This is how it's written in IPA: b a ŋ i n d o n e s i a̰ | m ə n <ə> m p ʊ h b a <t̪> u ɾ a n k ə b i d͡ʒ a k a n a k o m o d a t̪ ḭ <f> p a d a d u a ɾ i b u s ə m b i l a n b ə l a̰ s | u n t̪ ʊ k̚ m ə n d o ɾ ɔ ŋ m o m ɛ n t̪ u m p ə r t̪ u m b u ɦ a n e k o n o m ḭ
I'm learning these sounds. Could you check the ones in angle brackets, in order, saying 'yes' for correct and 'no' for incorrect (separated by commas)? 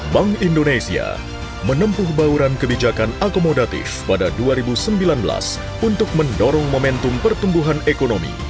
yes, no, yes